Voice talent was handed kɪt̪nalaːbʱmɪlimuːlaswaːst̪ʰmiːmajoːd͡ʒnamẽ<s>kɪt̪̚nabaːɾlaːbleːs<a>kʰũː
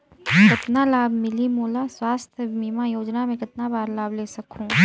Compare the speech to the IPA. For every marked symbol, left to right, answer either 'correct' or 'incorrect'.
incorrect, incorrect

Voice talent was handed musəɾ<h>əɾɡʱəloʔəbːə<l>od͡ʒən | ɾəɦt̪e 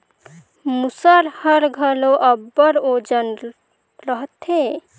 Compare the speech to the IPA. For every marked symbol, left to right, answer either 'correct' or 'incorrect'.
correct, incorrect

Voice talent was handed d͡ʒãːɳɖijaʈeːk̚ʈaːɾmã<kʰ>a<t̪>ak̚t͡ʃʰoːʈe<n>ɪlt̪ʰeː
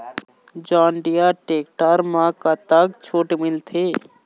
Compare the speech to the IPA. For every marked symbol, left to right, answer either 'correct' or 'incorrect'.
incorrect, correct, incorrect

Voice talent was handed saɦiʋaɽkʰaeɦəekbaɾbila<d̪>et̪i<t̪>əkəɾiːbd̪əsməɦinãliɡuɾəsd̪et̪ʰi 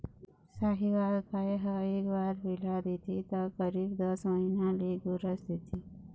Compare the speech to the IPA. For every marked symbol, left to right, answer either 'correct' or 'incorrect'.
correct, correct

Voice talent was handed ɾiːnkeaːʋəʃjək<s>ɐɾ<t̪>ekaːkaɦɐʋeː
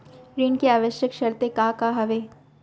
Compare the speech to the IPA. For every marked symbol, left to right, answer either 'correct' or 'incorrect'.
incorrect, correct

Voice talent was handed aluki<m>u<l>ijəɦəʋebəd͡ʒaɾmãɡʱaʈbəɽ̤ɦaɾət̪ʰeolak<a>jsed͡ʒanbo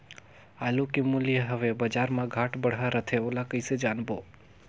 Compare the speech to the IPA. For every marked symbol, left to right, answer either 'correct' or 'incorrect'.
correct, correct, incorrect

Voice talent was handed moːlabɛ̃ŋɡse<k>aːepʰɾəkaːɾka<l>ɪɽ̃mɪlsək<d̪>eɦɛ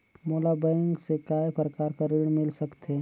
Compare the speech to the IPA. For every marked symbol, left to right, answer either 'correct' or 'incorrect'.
correct, incorrect, incorrect

